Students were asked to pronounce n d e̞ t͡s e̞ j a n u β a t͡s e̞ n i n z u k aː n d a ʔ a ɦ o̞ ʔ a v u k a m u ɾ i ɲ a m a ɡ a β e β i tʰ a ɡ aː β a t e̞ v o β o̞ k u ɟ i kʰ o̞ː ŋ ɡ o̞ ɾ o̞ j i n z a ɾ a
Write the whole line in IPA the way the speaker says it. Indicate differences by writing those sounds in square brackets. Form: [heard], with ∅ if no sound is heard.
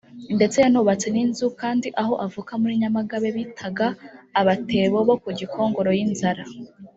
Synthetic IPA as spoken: n d e̞ t͡s e̞ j a n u β a t͡s e̞ n i n z u k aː n d [i] ʔ a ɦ o̞ ʔ a v u k a m u ɾ i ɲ a m a ɡ a β e β i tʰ a ɡ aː β a t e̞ [β] o β o̞ k u ɟ i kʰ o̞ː ŋ ɡ o̞ ɾ o̞ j i n z a ɾ a